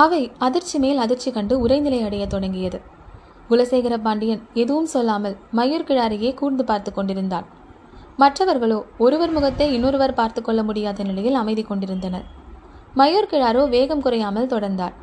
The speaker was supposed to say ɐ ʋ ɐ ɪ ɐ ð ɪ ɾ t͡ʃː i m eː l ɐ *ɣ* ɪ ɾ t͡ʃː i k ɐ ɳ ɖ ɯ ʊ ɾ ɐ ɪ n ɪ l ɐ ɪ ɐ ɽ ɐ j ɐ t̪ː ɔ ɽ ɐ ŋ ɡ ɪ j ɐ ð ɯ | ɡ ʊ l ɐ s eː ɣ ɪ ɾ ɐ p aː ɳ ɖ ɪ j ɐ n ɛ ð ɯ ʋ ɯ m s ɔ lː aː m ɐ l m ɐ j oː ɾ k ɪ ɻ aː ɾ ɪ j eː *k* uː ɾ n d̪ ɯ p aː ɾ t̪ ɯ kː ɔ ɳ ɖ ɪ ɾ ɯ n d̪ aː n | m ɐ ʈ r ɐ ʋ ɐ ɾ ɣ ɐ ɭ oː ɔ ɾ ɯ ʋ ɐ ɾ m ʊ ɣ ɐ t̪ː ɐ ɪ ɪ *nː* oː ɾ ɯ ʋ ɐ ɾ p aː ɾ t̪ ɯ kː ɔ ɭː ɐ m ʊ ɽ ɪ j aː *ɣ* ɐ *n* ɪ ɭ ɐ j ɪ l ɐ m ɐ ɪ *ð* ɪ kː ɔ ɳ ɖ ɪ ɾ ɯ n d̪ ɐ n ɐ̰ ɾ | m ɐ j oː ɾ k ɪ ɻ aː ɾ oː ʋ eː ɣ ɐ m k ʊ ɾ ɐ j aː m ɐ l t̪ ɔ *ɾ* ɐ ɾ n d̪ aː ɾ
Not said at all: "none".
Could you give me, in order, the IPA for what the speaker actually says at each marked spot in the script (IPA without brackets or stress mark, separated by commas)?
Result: ð, k, nː, ð, n, ð, ɽ